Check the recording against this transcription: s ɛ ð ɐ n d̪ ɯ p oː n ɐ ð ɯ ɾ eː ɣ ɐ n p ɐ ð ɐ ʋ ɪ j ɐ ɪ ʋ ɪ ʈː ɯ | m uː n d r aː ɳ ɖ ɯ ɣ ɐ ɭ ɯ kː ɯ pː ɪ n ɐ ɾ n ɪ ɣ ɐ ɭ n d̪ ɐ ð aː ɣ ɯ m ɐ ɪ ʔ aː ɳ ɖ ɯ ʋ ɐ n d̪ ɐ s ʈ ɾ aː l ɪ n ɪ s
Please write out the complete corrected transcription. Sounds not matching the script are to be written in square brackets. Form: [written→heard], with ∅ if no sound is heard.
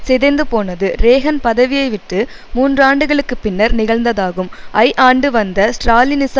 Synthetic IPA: s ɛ ð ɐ n d̪ ɯ p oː n ɐ ð ɯ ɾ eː ɣ ɐ n p ɐ ð ɐ ʋ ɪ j ɐ ɪ ʋ ɪ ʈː ɯ | m uː n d r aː ɳ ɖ ɯ ɣ ɐ ɭ ɯ kː ɯ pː ɪ [n→nː] ɐ ɾ n ɪ ɣ ɐ ɭ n d̪ ɐ ð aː ɣ ɯ m ɐ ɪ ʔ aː ɳ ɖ ɯ ʋ ɐ n d̪ ɐ s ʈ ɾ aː l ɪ n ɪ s